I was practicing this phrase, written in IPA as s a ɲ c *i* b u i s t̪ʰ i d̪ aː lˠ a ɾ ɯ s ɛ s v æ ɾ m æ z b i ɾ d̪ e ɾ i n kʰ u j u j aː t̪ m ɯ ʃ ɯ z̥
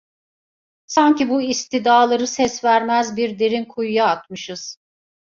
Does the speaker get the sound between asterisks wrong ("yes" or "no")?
no